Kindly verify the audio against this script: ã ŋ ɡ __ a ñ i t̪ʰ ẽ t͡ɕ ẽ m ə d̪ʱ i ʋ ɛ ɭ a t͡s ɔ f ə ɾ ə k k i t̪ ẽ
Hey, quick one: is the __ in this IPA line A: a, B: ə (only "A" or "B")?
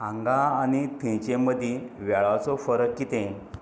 A